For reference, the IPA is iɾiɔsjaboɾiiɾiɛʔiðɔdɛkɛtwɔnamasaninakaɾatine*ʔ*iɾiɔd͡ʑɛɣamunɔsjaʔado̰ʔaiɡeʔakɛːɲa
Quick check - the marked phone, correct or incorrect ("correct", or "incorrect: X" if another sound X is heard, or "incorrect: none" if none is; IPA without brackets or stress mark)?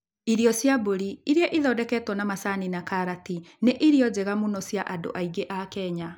correct